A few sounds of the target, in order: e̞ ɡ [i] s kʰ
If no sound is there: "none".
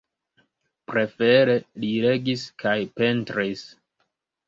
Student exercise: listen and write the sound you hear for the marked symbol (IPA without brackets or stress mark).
i